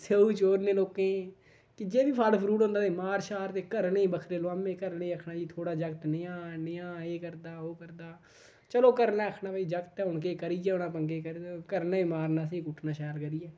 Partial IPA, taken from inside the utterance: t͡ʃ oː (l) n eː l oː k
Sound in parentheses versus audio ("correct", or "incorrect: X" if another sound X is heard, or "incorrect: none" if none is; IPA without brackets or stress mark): incorrect: ɾ